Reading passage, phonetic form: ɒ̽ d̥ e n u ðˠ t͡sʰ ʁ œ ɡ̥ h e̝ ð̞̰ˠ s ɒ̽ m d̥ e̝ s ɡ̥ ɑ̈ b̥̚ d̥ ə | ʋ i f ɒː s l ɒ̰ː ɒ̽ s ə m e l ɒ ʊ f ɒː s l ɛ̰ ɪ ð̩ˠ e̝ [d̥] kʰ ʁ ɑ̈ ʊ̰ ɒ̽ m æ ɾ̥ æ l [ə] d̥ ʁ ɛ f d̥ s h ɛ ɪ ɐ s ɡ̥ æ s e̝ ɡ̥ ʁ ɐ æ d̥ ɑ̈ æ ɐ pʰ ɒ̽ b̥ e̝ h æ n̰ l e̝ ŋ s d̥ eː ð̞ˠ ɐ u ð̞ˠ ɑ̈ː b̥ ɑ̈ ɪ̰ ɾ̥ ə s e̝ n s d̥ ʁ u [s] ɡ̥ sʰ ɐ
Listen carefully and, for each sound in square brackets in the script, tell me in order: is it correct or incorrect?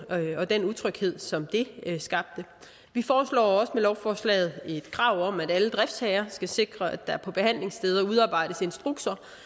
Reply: correct, correct, incorrect: none

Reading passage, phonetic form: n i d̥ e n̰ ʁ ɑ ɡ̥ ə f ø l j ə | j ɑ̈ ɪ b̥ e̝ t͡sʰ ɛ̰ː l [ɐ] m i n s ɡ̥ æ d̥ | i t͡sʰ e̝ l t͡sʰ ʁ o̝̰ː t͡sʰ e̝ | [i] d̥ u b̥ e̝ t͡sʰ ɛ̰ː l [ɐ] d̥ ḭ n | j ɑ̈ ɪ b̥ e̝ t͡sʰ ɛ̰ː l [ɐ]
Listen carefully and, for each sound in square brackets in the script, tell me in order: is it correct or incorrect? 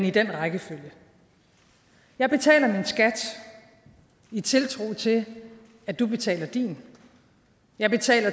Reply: correct, incorrect: æ, correct, correct

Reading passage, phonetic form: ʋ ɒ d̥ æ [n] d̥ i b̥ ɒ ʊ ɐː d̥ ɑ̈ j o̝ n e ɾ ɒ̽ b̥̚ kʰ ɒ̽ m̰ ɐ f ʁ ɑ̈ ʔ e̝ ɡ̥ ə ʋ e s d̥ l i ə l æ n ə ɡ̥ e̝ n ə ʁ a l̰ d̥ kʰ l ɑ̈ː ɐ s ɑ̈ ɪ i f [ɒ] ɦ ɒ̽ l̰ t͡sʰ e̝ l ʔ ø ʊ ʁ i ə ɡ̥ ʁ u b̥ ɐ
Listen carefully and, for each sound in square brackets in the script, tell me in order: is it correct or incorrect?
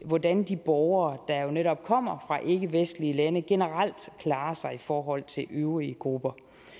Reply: correct, incorrect: ɒː

